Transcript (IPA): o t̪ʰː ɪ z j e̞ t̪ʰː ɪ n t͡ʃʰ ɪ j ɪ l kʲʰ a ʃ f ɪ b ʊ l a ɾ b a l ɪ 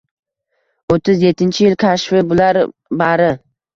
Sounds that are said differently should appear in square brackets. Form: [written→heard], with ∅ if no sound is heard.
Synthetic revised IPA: o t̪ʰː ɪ z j e̞ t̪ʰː ɪ n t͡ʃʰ ɪ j ɪ l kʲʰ a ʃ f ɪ b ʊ l a ɾ b a [l→ɾ] ɪ